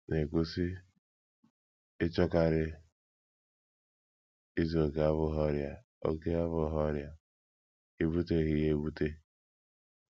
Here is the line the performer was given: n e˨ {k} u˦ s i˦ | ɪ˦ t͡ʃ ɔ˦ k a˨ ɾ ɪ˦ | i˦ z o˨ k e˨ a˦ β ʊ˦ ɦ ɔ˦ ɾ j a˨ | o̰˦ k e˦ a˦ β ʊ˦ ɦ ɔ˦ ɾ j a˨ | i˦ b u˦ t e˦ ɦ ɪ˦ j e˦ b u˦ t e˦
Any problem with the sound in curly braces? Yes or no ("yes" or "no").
no